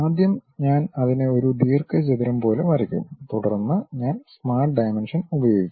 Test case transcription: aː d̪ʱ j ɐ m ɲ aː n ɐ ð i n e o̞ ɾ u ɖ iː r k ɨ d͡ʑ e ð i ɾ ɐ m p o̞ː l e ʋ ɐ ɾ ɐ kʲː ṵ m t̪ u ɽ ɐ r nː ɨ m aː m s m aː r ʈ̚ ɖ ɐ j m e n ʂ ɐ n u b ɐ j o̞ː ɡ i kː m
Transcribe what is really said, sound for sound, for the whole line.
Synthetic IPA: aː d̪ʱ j ɐ m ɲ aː n ɐ ð i n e o̞ ɾ u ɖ iː r k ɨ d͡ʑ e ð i ɾ ɐ m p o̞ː l e ʋ ɐ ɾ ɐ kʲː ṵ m t̪ u ɽ ɐ r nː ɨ ɲ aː n s m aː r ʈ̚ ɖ ɐ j m e n ʂ ɐ n u b ɐ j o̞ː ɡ i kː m